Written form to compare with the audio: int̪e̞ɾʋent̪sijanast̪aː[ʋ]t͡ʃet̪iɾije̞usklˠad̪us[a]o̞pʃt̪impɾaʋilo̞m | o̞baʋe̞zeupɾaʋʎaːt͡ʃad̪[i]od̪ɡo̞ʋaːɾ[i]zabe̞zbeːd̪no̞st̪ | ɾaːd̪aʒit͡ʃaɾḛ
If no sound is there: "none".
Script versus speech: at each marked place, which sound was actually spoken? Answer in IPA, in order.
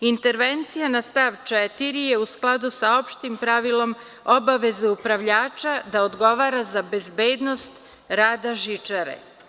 ʋ, a, a, a

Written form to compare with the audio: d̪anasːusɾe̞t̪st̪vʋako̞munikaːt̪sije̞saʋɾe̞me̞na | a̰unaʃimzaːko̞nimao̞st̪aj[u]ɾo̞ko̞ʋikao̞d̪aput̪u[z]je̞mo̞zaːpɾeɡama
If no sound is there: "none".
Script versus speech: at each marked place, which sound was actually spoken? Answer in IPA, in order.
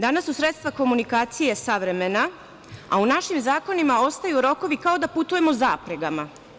u, none

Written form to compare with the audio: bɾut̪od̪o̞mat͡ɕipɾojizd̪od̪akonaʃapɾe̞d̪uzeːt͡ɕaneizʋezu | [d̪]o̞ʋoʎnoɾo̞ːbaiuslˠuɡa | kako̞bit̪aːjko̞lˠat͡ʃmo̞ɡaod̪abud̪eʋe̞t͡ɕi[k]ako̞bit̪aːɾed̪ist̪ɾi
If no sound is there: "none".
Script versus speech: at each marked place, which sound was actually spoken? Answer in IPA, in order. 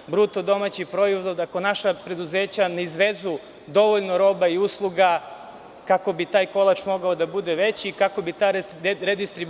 d̪, k

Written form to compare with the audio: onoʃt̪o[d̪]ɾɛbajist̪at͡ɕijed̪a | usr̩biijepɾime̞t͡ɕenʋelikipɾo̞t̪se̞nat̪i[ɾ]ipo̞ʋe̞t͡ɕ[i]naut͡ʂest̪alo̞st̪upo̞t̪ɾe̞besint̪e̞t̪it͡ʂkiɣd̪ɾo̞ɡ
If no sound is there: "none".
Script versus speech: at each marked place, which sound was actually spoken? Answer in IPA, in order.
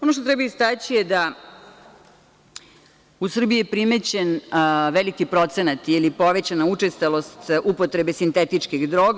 t̪, l, a

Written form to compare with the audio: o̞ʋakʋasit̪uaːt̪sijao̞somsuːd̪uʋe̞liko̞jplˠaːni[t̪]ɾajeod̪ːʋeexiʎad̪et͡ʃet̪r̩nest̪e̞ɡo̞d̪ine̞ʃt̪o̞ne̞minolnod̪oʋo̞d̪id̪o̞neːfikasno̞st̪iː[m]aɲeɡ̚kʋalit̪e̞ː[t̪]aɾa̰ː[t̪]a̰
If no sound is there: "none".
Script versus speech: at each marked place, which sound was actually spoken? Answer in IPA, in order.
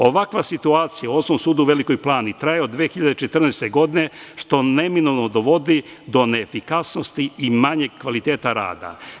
t̪, m, t̪, d̪

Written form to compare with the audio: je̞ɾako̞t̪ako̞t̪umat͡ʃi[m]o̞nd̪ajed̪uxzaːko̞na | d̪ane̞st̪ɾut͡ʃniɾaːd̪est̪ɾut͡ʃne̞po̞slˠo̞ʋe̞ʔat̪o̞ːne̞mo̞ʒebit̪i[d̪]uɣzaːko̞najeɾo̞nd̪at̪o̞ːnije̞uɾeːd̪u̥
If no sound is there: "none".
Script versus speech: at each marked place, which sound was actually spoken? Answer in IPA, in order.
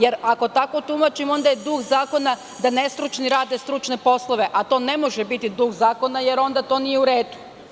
m, d̪

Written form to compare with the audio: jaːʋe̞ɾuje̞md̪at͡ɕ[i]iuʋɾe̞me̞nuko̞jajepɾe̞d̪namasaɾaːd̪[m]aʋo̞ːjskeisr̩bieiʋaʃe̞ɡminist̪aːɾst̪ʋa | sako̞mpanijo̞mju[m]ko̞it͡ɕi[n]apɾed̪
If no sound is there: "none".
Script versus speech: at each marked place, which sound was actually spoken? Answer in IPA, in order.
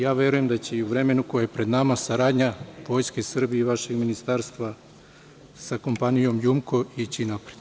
e, ɲ, m, n

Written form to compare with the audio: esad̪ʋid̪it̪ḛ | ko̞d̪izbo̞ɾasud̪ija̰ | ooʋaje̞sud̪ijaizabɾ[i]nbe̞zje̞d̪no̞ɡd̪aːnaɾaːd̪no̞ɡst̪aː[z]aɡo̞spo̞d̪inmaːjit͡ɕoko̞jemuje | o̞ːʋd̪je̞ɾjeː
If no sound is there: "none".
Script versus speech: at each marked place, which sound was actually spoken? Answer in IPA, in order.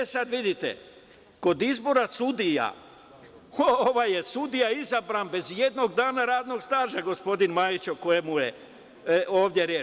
a, ʒ

